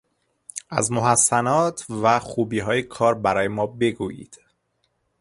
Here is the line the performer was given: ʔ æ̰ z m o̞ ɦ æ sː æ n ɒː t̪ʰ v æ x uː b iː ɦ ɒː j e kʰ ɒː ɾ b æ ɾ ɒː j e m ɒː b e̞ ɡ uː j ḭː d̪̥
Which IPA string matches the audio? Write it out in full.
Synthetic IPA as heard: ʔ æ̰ z m o̞ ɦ æ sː æ n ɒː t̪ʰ v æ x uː b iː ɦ ɒː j e kʰ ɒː ɾ b æ ɾ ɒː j e m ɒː b e̞ ɡ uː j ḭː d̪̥